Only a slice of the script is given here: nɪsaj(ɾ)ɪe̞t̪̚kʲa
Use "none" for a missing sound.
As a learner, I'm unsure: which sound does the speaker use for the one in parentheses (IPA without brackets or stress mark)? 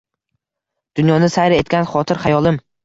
ɾ